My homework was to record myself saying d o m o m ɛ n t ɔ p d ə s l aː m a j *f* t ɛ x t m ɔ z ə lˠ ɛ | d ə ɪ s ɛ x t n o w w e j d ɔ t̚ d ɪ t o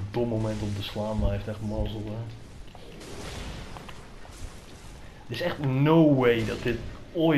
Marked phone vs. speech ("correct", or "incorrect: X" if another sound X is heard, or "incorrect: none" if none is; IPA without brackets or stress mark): correct